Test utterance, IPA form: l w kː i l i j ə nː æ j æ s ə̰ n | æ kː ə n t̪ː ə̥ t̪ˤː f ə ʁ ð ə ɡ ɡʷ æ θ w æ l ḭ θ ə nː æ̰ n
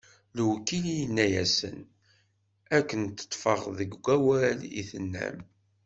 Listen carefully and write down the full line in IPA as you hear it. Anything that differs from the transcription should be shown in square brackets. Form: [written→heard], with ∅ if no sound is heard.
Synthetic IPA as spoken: l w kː i l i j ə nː æ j æ s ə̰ n | æ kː ə n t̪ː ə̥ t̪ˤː f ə ʁ ð ə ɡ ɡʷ æ [θ→∅] w æ l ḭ θ ə nː æ̰ [n→m]